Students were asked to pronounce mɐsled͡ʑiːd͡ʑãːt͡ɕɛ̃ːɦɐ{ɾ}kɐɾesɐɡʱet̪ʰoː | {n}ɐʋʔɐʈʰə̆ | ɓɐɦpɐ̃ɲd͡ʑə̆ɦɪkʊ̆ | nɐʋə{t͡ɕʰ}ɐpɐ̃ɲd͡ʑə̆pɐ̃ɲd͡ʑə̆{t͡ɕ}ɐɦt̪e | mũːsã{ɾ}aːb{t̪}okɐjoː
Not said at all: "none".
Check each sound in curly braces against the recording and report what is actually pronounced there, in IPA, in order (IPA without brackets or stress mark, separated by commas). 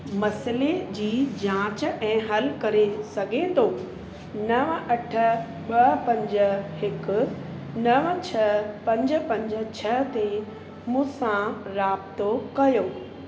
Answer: l, n, t͡ɕʰ, t͡ɕʰ, ɾ, t̪